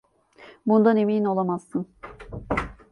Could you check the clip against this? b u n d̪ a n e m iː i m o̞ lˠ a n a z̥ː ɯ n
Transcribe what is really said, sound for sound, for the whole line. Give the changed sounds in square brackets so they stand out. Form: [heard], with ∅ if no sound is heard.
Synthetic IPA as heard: b u n d̪ a n e m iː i [n] o̞ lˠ a [m] a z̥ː ɯ n